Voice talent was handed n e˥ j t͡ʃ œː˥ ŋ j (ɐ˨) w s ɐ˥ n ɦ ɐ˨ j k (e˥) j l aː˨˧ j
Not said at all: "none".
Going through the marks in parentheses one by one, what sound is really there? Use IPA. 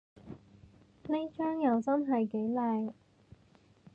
ɐ˨, e˨˥

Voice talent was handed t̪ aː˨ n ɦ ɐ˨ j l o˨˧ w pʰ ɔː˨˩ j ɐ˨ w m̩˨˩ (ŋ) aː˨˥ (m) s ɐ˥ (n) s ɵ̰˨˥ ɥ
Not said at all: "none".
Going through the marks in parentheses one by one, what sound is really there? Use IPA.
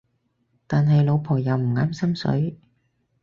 ŋ, m, m

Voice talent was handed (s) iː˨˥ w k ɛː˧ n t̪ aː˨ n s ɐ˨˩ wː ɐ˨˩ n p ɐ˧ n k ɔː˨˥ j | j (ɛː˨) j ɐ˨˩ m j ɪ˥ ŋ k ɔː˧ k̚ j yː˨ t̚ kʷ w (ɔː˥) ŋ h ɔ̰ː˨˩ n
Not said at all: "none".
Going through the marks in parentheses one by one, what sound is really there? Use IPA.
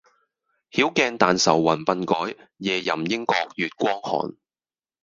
h, ɛː˨, ɔː˥

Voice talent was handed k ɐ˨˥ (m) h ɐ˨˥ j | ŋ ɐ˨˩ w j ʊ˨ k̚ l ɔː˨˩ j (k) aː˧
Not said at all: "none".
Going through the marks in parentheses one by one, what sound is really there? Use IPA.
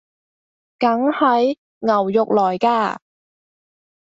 ŋ, k

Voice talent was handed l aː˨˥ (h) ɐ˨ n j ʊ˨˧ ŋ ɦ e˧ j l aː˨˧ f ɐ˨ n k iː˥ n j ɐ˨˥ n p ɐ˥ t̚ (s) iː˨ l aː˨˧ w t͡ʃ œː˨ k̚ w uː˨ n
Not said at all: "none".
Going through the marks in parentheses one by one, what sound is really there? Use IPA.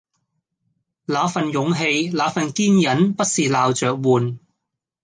f, s

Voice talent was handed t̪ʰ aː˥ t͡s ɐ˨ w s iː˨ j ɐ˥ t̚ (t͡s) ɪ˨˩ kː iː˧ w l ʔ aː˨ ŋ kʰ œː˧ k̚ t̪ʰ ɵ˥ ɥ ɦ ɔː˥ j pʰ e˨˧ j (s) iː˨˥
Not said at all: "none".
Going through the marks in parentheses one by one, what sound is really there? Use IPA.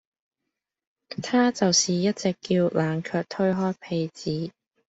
t͡s, t͡s

